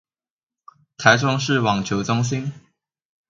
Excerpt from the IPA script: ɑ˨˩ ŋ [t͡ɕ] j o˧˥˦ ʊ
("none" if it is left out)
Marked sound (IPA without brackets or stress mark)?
t͡ɕʰ